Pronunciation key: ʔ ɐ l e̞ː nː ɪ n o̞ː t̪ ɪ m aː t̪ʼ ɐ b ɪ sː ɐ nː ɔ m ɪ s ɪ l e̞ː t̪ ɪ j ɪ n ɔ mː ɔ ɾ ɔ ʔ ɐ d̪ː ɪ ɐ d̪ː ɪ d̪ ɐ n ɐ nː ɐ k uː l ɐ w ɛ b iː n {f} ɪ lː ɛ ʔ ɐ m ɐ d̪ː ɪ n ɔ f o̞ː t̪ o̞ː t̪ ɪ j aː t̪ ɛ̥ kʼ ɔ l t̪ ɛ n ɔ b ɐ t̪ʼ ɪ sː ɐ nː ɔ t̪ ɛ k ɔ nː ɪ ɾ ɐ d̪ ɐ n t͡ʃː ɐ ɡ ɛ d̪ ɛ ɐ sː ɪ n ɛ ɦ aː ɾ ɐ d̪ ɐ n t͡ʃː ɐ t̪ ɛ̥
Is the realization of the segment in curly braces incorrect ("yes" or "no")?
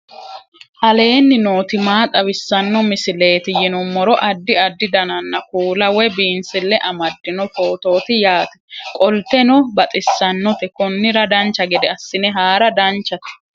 yes